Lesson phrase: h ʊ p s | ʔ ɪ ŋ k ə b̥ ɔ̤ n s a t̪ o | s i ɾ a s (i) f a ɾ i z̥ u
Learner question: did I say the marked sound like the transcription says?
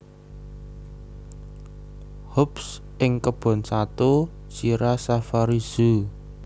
no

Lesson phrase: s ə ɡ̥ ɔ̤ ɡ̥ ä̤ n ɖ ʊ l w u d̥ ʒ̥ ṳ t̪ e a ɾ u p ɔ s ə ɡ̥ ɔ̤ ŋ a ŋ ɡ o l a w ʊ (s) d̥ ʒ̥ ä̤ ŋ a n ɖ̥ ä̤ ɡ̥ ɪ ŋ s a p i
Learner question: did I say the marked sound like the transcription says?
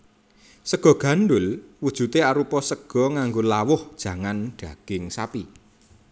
no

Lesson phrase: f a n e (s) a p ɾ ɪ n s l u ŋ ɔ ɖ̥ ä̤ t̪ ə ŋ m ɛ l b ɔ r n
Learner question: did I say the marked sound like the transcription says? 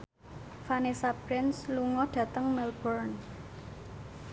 yes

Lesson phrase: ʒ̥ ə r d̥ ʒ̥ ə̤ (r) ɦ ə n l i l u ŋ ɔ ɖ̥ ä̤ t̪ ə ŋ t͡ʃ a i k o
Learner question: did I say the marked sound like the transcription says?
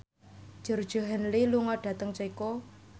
no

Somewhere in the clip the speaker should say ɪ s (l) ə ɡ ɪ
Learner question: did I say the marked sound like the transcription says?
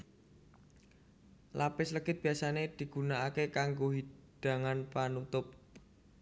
yes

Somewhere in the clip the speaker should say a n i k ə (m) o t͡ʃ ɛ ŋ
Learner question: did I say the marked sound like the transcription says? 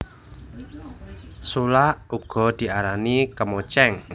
yes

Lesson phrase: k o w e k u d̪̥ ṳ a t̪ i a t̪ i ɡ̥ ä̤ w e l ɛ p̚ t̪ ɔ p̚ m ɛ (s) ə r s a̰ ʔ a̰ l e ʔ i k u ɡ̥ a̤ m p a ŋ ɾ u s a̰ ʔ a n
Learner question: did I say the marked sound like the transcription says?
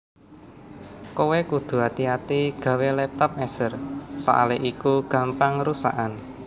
yes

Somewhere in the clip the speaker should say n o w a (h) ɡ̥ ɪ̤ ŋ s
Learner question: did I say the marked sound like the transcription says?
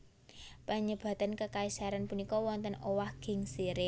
yes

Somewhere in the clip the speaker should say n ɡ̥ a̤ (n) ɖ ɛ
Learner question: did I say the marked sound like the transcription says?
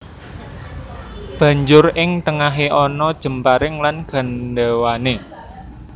yes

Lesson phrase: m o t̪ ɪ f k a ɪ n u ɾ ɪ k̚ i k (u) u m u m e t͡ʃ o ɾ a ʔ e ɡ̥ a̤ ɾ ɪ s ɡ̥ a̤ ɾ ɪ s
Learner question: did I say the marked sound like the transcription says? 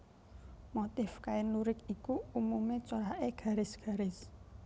yes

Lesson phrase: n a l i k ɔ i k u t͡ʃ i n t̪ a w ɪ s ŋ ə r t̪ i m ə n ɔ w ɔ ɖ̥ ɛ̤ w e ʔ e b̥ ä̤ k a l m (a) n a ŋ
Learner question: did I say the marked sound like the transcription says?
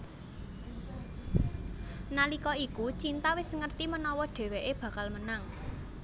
no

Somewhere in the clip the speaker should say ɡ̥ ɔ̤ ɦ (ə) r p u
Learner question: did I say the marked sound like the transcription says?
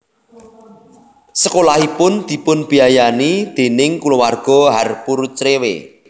no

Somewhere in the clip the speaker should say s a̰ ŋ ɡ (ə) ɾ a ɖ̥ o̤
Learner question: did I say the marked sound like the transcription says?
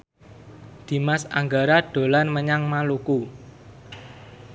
no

